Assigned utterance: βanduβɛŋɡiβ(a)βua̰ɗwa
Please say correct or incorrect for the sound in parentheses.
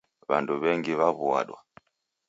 correct